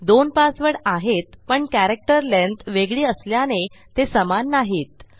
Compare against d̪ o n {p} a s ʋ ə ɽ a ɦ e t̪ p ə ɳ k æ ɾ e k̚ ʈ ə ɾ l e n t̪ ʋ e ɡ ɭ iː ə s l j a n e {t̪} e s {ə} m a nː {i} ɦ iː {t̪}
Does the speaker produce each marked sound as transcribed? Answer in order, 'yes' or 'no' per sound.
yes, yes, yes, no, yes

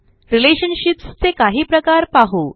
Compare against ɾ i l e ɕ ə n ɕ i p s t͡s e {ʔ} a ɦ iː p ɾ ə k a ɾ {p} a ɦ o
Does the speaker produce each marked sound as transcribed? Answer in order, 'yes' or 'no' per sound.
no, yes

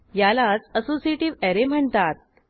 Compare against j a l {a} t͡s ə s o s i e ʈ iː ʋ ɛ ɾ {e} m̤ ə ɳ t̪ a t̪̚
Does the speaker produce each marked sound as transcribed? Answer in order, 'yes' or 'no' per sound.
yes, yes

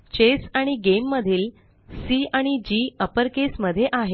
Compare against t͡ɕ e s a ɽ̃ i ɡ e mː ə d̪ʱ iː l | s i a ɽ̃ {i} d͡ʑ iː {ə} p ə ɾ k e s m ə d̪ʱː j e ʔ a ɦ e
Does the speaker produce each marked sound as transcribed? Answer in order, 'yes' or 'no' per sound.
yes, yes

